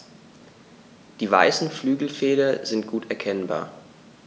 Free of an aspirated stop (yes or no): no